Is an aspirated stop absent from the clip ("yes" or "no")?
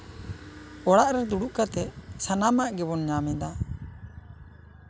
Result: yes